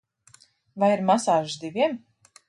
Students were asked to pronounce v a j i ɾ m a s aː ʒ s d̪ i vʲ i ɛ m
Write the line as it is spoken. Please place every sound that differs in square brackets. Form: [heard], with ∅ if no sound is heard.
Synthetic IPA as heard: v a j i ɾ m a s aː ʒ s d̪ i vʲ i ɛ m